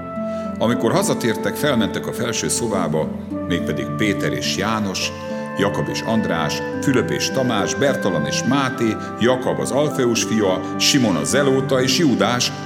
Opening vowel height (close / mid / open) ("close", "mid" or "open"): open